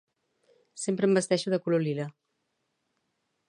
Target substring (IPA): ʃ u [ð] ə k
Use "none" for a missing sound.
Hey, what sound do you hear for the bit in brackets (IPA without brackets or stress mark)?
ð